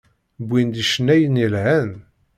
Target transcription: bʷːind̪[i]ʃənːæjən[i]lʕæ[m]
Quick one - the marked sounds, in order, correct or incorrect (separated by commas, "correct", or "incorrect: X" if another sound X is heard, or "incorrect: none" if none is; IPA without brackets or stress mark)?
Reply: correct, correct, incorrect: n